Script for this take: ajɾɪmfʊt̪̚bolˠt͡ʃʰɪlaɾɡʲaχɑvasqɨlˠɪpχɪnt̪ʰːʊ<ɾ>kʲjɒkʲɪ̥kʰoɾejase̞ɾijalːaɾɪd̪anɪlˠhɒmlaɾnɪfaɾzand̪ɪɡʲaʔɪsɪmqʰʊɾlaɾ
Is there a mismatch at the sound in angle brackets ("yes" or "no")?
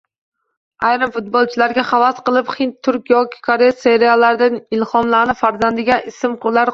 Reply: no